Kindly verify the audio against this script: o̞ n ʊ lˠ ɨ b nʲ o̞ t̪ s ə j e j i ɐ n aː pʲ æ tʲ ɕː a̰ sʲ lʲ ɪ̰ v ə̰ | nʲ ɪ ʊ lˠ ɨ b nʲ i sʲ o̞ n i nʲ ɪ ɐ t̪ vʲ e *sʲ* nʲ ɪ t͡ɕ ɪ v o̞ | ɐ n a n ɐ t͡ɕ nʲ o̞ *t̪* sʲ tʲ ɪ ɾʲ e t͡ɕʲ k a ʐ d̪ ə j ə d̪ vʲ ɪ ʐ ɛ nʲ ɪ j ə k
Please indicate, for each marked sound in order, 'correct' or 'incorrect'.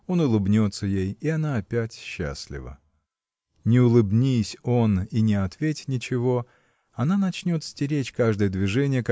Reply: incorrect: tʲ, correct

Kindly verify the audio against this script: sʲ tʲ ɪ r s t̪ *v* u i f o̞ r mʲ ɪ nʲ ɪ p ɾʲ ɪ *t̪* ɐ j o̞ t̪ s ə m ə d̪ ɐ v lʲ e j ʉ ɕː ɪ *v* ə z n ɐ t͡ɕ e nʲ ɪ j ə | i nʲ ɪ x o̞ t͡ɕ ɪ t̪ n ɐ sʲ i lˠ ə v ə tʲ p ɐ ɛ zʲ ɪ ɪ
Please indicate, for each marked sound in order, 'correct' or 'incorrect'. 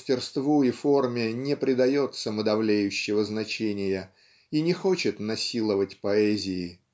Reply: correct, incorrect: d̪, correct

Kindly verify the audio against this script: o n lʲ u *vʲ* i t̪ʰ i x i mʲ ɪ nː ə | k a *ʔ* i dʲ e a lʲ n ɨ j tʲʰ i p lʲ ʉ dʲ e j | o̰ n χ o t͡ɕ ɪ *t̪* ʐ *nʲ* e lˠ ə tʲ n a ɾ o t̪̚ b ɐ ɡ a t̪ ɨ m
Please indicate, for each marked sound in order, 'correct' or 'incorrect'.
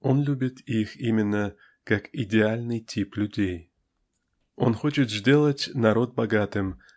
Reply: incorrect: bʲ, incorrect: k, correct, incorrect: dʲ

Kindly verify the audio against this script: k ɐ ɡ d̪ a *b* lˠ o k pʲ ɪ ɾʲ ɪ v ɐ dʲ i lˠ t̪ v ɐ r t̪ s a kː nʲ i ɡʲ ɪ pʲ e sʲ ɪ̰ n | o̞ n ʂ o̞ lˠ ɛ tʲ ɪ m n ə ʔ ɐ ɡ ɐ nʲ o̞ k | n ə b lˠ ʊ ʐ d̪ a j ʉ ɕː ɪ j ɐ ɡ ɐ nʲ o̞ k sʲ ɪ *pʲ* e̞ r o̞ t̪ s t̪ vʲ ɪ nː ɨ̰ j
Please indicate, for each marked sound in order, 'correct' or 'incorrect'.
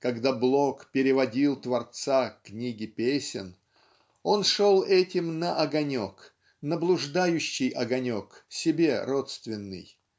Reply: correct, incorrect: bʲ

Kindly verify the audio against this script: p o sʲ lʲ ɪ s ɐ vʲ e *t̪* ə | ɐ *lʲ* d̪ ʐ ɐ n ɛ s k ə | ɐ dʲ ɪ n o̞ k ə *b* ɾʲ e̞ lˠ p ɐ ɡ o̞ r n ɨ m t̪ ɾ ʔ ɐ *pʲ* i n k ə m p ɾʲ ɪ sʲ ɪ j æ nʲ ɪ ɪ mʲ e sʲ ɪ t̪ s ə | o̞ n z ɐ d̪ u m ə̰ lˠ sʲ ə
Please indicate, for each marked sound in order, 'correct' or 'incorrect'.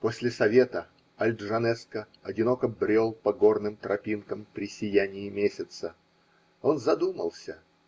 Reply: correct, correct, correct, correct

